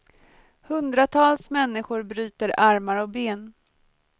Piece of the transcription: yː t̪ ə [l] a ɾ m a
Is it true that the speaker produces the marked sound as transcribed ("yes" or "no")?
no